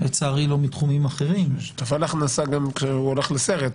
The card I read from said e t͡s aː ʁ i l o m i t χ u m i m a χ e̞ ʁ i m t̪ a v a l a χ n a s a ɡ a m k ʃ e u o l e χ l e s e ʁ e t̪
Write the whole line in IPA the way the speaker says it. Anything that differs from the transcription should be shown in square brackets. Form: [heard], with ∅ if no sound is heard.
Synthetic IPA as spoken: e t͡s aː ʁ i l o m i t χ u m i m a χ e̞ ʁ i m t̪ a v a l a χ n a s a ɡ a m k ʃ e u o l e χ l e s e ʁ e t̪

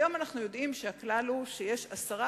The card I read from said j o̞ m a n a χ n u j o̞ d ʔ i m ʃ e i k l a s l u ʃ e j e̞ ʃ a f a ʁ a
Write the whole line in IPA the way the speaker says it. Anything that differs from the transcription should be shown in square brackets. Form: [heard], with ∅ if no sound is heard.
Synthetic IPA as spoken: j o̞ m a n a χ n u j o̞ d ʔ i m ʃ e [a] k l a [∅] l u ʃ e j e̞ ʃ a [s] a ʁ a

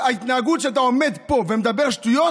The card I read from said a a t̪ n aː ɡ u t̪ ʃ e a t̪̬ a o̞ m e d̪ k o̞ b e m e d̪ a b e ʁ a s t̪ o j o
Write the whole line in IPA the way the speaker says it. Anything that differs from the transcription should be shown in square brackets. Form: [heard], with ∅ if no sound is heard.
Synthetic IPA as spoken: a [i] t̪ n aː ɡ u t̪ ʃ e a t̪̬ a o̞ m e d̪ [p] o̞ [v] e m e d̪ a b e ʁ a [ʃ] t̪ [u] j o

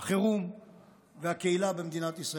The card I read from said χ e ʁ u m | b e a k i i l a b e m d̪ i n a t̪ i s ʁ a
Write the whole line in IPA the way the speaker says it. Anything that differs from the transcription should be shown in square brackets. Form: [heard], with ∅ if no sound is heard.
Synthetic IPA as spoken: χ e ʁ u m | [v] e a k [e] i l a b e m d̪ i n a t̪ i s ʁ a

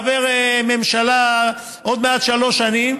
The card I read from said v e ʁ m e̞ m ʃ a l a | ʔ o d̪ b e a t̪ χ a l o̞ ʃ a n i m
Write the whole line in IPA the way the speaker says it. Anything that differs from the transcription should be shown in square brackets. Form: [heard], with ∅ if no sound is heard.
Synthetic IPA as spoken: v e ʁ m e̞ m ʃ a l a | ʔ o d̪ [m] e a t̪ [ʃ] a l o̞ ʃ a n i m

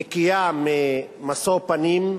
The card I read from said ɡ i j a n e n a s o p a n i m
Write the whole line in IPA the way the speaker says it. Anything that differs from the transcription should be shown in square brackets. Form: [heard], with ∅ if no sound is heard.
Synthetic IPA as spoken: [k] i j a [m] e [m] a s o p a n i m

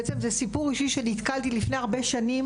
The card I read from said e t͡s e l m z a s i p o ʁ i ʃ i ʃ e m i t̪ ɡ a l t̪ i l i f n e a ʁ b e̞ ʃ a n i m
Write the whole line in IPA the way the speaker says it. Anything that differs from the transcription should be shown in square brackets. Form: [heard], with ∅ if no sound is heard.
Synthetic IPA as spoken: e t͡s e [∅] m z [e] s i p [u] ʁ i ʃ i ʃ e [n] i t̪ [k] a l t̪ i l i f n e a ʁ b e̞ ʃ a n i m

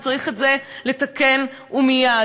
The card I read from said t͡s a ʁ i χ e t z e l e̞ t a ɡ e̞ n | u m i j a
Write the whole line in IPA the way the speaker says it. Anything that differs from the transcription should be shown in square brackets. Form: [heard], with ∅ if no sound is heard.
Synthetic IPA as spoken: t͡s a ʁ i χ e t z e l e̞ t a [k] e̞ n | u m i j a

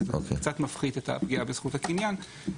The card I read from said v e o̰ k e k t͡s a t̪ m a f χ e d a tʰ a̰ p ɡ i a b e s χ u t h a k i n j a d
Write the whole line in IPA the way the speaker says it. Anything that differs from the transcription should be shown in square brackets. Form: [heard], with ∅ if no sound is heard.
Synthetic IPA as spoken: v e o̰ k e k t͡s a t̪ m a f χ [i] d [e] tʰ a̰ p ɡ i a b e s χ u t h a k i n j a [n]

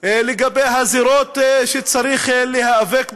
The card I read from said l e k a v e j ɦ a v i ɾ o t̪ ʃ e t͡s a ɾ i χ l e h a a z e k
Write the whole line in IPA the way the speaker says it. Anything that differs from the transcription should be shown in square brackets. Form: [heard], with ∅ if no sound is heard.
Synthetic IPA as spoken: l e [ɡ] a [b] e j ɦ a [z] i ɾ o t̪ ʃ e t͡s a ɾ i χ l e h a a [v] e k

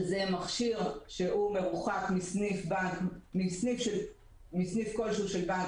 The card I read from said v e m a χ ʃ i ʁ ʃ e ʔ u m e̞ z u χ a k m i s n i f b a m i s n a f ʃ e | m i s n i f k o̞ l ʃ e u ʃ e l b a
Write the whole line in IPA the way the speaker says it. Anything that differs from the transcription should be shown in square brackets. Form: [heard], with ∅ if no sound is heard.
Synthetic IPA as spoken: [z] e m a χ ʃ i ʁ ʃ e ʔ u m e̞ [ʁ] u χ a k m i s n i f b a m i s n [i] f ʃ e | m i s n i f k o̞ l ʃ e u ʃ e l b a

